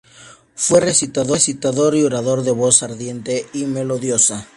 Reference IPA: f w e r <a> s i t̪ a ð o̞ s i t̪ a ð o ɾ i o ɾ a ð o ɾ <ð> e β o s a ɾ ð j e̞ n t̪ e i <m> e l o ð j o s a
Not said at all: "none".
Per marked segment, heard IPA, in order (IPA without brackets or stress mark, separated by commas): e, ð, m